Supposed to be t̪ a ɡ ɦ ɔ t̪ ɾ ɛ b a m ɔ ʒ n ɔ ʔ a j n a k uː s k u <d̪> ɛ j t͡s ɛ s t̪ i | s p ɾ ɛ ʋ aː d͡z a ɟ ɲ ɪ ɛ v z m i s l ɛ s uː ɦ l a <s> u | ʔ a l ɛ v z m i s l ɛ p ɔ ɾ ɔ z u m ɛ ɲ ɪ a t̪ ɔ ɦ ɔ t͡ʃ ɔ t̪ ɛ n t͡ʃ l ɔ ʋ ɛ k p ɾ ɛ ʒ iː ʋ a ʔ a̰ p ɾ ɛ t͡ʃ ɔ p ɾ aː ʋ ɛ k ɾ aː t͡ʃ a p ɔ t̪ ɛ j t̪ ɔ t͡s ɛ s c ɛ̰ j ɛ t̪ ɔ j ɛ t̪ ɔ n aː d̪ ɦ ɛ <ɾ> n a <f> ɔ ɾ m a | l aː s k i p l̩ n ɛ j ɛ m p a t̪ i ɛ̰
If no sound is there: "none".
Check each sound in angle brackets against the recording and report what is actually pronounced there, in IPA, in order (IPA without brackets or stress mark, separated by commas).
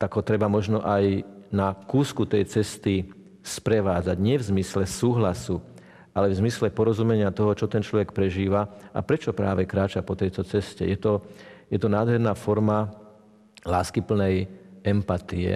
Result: t̪, s, ɾ, f